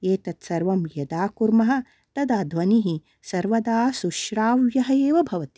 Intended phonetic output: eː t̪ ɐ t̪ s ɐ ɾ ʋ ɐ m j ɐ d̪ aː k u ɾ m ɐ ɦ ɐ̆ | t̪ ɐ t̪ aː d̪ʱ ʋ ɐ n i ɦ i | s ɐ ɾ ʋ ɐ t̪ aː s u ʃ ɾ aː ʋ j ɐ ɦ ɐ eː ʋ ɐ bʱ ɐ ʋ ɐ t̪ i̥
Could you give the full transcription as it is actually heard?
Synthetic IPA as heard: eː t̪ ɐ t̪ s ɐ ɾ ʋ ɐ m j ɐ d̪ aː k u ɾ m ɐ ɦ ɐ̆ | t̪ ɐ d̪ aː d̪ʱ ʋ ɐ n i ɦ i | s ɐ ɾ ʋ ɐ d̪ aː s u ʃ ɾ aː ʋ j ɐ ɦ ɐ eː ʋ ɐ bʱ ɐ ʋ ɐ t̪ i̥